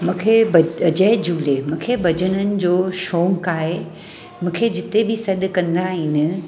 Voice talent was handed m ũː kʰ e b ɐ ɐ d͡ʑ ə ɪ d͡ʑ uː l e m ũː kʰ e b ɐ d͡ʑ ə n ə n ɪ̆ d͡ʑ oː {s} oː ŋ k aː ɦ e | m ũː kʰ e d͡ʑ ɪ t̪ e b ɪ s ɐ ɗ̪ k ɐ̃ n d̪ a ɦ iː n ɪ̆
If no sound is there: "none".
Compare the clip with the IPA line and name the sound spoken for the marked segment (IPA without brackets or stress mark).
ʃ